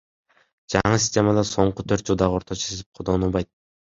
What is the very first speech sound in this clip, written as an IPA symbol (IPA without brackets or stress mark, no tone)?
d͡ʒ